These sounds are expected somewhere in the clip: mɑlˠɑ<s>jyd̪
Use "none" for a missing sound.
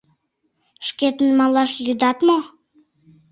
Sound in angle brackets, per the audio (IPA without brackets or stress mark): ʃ